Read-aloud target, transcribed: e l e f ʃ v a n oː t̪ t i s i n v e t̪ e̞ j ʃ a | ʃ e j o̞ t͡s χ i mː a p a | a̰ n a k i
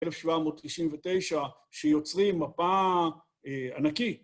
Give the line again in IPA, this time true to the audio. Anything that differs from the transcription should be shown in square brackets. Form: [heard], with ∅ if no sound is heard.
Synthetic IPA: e l e f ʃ v a [m] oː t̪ t i [ʃ] i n v e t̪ e̞ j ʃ a | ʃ e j o̞ t͡s [ʁ] i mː a p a | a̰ n a k i